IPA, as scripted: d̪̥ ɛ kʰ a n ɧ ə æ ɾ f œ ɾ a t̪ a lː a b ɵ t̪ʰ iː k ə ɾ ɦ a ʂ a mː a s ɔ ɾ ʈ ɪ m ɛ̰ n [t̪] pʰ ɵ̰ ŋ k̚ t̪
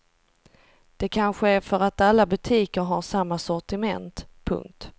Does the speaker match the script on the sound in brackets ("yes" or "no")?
yes